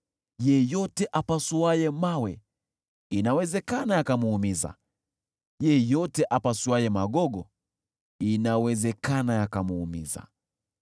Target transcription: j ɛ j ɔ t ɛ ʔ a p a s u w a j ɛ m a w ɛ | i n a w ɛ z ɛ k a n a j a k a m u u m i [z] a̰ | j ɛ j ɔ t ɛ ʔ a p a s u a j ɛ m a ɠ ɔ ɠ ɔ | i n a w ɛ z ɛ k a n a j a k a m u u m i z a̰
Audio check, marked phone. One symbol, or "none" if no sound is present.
z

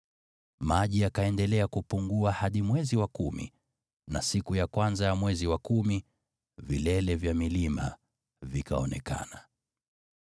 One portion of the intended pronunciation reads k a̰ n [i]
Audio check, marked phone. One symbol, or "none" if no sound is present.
a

